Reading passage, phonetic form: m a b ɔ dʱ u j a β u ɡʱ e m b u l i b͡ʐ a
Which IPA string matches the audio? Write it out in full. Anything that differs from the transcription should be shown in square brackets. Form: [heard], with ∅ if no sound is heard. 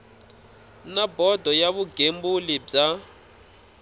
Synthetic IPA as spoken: [n] a b ɔ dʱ [ɔ] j a β u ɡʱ e m b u l i b͡ʐ a

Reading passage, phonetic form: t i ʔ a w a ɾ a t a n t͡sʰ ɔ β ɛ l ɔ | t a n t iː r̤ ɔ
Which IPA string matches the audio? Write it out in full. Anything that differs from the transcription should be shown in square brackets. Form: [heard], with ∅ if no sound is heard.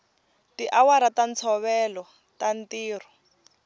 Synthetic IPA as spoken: t i ʔ a w a ɾ a t a n t͡sʰ ɔ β ɛ l ɔ | t a n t iː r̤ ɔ

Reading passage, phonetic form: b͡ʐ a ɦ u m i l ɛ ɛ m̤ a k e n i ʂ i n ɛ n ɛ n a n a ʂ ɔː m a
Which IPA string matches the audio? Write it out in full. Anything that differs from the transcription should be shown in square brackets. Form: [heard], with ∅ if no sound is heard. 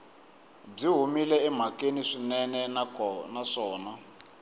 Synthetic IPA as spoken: b͡ʐ [i] ɦ u m i l ɛ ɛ m̤ a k e n i ʂ i n ɛ n ɛ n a n a ʂ ɔː [n] a

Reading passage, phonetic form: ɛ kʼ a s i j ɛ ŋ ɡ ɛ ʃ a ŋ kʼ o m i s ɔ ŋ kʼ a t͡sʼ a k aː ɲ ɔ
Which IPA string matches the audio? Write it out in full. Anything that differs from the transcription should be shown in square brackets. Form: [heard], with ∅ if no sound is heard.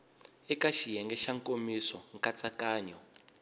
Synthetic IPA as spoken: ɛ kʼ a [ʃ] i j ɛ ŋ ɡ ɛ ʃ a ŋ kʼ o m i s ɔ ŋ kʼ a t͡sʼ a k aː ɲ ɔ

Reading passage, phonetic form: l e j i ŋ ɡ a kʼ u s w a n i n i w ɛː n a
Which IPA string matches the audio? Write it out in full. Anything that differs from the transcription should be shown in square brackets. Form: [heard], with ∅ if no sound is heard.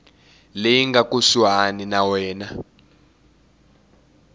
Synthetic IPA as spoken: l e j i ŋ ɡ a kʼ u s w a n i n [a] w ɛː n a

